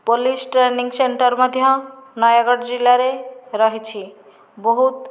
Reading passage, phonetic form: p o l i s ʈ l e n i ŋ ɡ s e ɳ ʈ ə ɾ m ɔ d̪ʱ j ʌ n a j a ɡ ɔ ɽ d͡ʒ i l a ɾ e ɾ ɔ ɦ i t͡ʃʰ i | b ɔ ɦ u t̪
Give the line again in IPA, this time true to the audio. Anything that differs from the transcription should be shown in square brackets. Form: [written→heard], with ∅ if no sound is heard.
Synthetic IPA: p o l i s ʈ [l→ɾ] e n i ŋ ɡ s e ɳ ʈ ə ɾ m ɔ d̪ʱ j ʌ n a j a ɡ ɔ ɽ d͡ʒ i l a ɾ e ɾ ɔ ɦ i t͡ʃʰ i | b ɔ ɦ u t̪